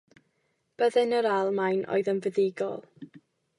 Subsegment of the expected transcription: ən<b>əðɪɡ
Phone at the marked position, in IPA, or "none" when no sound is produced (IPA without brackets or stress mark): v